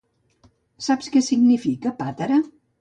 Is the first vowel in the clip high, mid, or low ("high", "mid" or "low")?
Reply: low